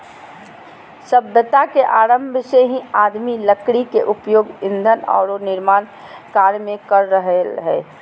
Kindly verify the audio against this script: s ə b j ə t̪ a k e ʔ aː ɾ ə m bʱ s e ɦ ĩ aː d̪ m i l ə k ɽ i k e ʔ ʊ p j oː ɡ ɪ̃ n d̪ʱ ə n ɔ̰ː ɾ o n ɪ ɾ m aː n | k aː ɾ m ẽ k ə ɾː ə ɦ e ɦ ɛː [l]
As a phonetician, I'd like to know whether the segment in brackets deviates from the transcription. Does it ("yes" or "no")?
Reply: yes